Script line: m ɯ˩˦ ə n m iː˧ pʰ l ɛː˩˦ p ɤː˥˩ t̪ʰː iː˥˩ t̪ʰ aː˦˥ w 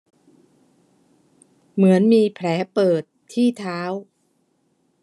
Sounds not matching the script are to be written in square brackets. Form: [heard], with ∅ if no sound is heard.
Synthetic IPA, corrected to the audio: m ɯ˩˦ ə n m iː˧ pʰ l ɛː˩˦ p [ɤː˨˩] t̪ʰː iː˥˩ t̪ʰ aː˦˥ w